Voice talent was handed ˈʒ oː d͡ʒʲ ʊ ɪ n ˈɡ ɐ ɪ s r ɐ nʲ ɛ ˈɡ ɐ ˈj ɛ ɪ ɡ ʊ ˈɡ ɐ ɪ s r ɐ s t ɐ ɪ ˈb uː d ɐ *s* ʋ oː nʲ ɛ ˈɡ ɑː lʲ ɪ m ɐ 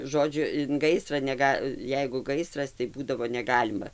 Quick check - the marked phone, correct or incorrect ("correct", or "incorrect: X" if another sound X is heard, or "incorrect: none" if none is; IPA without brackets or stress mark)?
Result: incorrect: none